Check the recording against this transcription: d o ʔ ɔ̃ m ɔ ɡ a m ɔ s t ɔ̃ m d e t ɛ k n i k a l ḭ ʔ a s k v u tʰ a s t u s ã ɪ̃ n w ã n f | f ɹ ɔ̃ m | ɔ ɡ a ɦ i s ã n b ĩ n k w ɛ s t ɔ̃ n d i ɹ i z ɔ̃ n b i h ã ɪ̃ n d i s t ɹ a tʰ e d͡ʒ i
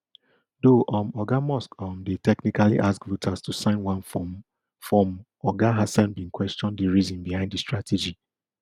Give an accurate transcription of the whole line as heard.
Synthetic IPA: d o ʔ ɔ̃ m ɔ ɡ a m ɔ s k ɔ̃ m d e t ɛ k n i k a l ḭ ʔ a s k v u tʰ a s t u s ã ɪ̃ n w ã n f | f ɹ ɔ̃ m | ɔ ɡ a ɦ a s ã n b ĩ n k w ɛ s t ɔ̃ n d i ɹ i z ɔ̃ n b i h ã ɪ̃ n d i s t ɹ a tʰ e d͡ʒ i